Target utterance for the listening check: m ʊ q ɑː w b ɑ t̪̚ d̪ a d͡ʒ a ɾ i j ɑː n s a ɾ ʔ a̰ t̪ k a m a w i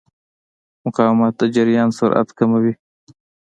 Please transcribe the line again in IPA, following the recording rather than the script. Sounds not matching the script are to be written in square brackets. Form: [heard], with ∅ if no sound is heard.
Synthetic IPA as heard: m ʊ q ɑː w [m] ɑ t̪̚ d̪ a d͡ʒ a ɾ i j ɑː n s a ɾ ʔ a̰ t̪ k a m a w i